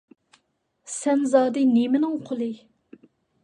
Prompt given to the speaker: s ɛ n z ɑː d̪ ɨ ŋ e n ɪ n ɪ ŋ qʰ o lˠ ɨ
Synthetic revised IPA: s ɛ n z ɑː d̪ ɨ n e m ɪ n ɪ ŋ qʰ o lˠ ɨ

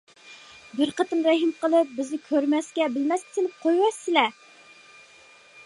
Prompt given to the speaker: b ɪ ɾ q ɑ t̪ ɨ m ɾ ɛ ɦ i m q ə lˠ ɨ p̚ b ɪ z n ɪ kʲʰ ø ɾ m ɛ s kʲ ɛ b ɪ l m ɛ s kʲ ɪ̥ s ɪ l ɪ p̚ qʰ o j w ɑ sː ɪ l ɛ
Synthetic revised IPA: b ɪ ɾ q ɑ t̪ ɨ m ɾ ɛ ɦ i m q ə lˠ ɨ p̚ b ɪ z n ɪ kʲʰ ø ɾ m ɛ s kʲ ɛ b ɪ l m ɛ s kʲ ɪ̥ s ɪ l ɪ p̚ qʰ o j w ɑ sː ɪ l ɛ

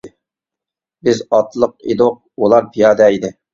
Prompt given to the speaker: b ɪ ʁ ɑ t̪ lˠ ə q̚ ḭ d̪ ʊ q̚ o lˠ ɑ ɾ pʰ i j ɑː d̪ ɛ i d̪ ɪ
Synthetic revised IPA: b ɪ z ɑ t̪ lˠ ə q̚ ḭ d̪ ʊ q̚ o lˠ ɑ ɾ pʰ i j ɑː d̪ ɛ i d̪ ɪ

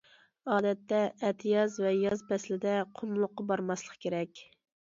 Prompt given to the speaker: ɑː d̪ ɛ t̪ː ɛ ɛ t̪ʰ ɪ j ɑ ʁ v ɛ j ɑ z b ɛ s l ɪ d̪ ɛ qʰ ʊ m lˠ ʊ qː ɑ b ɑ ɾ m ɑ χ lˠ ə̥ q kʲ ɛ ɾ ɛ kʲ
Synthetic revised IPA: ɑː d̪ ɛ t̪ː ɛ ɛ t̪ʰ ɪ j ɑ z v ɛ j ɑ z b ɛ s l ɪ d̪ ɛ qʰ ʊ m lˠ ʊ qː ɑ b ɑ ɾ m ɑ s lˠ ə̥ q kʲ e ɾ ɛ kʲ

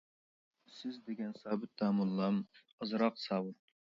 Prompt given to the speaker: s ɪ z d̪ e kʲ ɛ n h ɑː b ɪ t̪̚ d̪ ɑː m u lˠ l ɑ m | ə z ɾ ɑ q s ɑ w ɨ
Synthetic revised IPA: s ɪ z d̪ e ɡʲ ɛ n s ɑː b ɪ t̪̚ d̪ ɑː m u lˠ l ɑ m | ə z ɾ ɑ q s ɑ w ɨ

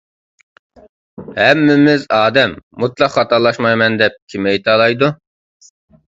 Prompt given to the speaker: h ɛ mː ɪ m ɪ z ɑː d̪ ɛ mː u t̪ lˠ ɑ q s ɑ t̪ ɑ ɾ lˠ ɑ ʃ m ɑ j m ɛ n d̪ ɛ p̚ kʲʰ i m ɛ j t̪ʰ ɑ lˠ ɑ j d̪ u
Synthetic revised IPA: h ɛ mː ɪ m ɪ z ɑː d̪ ɛ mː u t̪ lˠ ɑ q χ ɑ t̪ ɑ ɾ lˠ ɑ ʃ m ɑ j m ɛ n d̪ ɛ p̚ kʲʰ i m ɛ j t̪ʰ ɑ lˠ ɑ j d̪ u

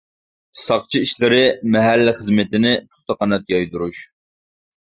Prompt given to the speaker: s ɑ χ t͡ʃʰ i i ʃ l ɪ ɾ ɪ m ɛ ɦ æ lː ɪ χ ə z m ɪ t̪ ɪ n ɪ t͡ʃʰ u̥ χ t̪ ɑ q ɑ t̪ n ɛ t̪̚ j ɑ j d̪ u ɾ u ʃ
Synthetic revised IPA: s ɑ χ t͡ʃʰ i i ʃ l ɪ ɾ ɪ m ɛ ɦ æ lː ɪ χ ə z m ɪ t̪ ɪ n ɪ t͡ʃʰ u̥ χ t̪ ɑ q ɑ n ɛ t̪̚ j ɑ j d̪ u ɾ u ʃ

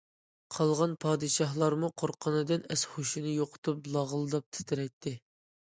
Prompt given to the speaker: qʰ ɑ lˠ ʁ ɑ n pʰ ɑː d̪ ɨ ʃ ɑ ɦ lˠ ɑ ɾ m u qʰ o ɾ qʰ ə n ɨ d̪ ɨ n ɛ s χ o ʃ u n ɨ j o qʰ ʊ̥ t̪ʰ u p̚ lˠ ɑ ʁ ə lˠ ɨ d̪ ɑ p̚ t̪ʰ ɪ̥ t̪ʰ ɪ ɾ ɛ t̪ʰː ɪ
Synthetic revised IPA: qʰ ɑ lˠ ʁ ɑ n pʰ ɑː d̪ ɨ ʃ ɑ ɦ lˠ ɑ ɾ m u qʰ o ɾ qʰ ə n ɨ d̪ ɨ n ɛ s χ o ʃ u n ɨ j o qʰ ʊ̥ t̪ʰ u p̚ lˠ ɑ ʁ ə lˠ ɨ d̪ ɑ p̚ t̪ʰ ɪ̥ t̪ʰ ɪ ɾ ɛ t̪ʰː ɪ

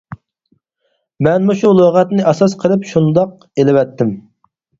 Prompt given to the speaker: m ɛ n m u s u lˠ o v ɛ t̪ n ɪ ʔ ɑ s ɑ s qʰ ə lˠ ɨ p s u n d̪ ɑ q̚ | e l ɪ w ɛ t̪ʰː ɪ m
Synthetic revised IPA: m ɛ n m u ʃ u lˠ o ʁ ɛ t̪ n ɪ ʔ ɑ s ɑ s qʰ ə lˠ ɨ p ʃ u n d̪ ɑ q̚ | e l ɪ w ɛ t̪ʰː ɪ m

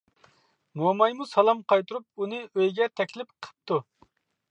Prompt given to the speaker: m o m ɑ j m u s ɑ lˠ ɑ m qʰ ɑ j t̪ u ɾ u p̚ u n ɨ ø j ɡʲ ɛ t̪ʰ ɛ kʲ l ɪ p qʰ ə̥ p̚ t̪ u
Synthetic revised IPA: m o m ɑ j m u s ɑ lˠ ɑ m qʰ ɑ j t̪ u ɾ u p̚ u n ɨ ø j ɡʲ ɛ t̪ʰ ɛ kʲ l ɪ p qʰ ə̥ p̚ t̪ u

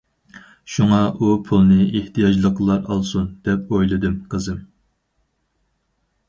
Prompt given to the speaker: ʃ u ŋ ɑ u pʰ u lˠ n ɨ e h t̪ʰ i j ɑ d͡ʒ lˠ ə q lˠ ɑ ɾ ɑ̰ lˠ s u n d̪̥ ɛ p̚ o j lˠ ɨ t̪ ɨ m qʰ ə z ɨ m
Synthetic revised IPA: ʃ u ŋ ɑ u pʰ u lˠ n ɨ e h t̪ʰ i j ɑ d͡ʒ lˠ ə q lˠ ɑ ɾ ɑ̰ lˠ s u n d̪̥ ɛ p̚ o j lˠ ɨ d̪ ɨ m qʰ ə z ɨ m

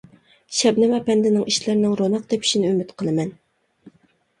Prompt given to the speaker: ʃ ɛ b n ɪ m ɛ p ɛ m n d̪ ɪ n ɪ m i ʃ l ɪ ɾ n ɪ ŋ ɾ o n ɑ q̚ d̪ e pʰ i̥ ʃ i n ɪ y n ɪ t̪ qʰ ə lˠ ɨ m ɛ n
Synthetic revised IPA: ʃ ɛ b n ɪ m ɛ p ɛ n d̪ ɪ n ɪ ŋ i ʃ l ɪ ɾ n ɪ ŋ ɾ o n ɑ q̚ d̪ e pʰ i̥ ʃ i n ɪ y m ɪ t̪ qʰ ə lˠ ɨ m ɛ n

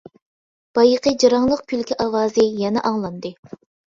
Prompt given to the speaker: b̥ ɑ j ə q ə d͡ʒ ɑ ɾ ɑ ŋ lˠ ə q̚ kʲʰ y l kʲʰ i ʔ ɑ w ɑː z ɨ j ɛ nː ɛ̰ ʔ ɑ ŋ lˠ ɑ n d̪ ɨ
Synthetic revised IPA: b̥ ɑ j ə q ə d͡ʒ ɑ ɾ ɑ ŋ lˠ ə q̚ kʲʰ y l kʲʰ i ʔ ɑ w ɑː z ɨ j ɛ n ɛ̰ ʔ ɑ ŋ lˠ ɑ n d̪ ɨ

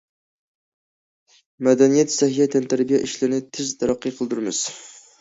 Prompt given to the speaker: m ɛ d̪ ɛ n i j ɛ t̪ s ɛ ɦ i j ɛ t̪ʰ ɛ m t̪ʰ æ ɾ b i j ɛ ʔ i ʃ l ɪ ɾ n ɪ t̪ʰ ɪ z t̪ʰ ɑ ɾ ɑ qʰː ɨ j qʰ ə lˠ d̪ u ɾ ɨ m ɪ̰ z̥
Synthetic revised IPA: m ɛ d̪ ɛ n i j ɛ t̪ s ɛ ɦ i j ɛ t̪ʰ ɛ n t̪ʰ æ ɾ b i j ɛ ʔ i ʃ l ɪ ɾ n ɪ t̪ʰ ɪ z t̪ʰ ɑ ɾ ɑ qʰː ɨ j qʰ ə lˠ d̪ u ɾ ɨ m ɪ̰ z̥

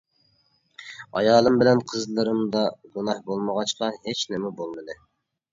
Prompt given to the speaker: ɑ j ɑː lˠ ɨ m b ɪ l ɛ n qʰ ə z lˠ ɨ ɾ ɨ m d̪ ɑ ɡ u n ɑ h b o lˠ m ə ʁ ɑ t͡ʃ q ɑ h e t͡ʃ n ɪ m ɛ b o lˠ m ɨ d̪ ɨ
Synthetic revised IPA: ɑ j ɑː lˠ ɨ m b ɪ l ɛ n qʰ ə z lˠ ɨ ɾ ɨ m d̪ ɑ ɡ u n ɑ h b o lˠ m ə ʁ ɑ t͡ʃ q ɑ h e t͡ʃ n ɪ m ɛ b o lˠ m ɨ d̪ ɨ

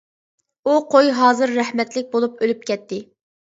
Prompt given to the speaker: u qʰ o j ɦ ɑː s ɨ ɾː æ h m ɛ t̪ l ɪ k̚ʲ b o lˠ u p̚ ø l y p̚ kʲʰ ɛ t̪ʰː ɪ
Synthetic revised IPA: u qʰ o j ɦ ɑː z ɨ ɾː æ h m ɛ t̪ l ɪ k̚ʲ b o lˠ u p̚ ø l y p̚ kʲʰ ɛ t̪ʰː ɪ

